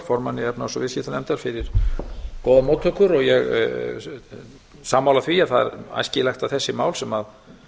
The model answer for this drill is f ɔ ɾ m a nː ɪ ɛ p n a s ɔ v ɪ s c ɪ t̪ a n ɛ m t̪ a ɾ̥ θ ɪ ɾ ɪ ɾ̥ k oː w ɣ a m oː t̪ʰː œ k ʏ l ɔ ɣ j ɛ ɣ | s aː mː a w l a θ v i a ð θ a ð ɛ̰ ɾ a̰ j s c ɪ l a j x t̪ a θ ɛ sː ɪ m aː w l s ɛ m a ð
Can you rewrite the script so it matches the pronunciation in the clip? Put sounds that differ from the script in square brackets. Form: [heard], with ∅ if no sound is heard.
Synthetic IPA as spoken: f ɔ ɾ m a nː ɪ ɛ p n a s ɔ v ɪ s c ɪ t̪ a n ɛ m t̪ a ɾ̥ [f] ɪ ɾ ɪ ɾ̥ k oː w [ð] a m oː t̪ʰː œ k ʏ [ɾ] ɔ ɣ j ɛ ɣ | s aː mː a w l a θ v i a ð θ a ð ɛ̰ ɾ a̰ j s c ɪ l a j x t̪ a θ ɛ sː ɪ m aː w l s ɛ m a ð